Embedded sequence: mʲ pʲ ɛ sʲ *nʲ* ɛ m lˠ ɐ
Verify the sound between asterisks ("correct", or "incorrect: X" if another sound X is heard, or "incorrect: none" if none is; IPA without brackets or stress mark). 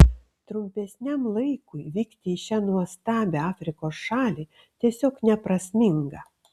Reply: correct